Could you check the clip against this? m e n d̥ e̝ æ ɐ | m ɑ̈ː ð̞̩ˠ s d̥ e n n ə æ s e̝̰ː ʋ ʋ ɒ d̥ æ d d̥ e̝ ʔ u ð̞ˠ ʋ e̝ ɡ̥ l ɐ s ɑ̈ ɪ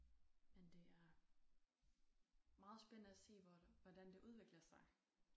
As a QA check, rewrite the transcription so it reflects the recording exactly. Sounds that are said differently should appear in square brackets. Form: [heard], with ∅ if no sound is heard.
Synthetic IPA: m e n d̥ e̝ æ ɐ | m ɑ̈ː ð̞̩ˠ s [b̥] e n n ə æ s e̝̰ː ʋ ʋ ɒ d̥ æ [n] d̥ e̝ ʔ u ð̞ˠ ʋ e̝ ɡ̥ l ɐ s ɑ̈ ɪ